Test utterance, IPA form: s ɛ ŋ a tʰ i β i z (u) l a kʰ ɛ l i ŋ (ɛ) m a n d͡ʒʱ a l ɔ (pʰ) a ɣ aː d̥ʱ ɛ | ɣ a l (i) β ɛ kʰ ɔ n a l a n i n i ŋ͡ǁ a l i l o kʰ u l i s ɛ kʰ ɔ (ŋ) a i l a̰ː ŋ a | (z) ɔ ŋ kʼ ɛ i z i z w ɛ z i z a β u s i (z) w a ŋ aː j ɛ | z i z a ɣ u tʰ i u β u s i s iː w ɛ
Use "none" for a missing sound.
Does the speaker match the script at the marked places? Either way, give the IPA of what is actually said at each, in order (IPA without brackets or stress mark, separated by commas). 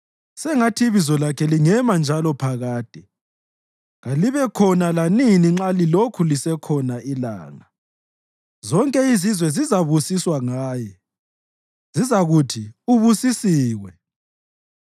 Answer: ɔ, ɛ, pʰ, i, n, z, s